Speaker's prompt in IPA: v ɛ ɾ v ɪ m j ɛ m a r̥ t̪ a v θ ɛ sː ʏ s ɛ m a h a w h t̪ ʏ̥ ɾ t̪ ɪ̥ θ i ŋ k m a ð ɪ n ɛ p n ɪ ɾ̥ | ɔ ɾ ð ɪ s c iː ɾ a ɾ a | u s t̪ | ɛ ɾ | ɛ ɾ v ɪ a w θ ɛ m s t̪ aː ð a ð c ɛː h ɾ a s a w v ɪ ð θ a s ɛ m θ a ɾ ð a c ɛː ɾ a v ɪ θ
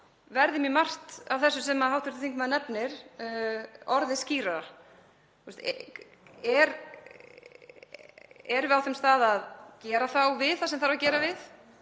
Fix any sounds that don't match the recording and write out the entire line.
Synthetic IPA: v ɛ ɾ ð ɪ m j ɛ m a r̥ t̪ a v θ ɛ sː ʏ s ɛ m a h a w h t̪ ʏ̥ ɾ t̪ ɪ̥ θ i ŋ k m a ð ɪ n ɛ p n ɪ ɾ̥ | ɔ ɾ ð ɪ s c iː ɾ a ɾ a | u s t̪ | ɛ ɾ | ɛ ɾ v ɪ a w θ ɛ m s t̪ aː ð a ð c ɛː ɾ a θ a w v ɪ ð θ a s ɛ m θ a ɾ v a c ɛː ɾ a v ɪ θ